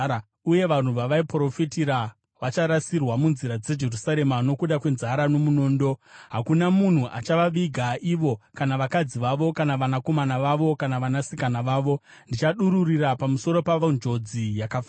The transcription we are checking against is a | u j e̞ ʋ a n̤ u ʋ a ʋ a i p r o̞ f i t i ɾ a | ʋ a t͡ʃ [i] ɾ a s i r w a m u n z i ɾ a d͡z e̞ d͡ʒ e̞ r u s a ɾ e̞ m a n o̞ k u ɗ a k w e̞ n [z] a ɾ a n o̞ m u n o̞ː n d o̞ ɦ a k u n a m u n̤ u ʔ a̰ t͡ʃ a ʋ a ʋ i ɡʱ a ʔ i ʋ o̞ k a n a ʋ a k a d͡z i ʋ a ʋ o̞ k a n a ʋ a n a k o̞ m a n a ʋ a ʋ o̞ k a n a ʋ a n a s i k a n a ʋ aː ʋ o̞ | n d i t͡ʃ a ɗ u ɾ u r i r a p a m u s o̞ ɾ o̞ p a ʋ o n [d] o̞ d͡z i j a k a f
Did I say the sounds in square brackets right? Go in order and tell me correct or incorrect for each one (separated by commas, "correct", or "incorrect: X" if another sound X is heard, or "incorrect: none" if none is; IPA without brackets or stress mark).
incorrect: a, correct, incorrect: d͡ʒ